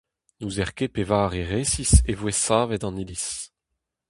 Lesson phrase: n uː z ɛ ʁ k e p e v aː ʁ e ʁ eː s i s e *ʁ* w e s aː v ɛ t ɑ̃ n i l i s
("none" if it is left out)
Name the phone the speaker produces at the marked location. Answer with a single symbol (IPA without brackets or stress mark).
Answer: v